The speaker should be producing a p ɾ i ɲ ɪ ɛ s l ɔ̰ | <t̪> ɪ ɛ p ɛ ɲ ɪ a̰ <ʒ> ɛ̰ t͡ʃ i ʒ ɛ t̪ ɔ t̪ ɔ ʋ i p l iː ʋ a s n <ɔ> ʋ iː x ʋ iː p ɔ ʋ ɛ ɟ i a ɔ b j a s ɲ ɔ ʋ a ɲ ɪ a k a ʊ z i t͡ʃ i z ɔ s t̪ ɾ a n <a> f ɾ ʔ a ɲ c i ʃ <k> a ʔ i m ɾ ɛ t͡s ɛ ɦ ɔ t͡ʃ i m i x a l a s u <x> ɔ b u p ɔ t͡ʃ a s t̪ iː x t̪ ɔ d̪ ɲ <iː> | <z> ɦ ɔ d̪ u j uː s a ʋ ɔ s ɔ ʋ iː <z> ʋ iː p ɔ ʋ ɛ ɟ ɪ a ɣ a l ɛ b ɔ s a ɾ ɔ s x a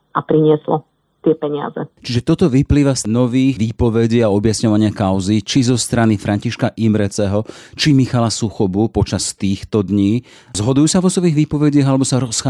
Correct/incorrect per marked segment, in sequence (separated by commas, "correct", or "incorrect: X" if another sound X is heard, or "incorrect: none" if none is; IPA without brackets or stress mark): correct, incorrect: z, correct, incorrect: i, correct, correct, correct, correct, incorrect: ɣ